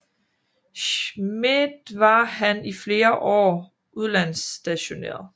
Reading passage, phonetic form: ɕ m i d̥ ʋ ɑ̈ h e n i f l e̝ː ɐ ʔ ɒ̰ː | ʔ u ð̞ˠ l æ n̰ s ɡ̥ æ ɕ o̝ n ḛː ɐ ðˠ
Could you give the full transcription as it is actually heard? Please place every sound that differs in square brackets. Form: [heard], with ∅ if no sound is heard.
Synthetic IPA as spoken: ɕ m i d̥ ʋ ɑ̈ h [æ] n i f l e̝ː ɐ ʔ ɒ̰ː | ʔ u ð̞ˠ l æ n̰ s [d̥] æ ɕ o̝ n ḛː ɐ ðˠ